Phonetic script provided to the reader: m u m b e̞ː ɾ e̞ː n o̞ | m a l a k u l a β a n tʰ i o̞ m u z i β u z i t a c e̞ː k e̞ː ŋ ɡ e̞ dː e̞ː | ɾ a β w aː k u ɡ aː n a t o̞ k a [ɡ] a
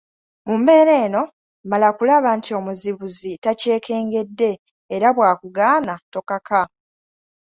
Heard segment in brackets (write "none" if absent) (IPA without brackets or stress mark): k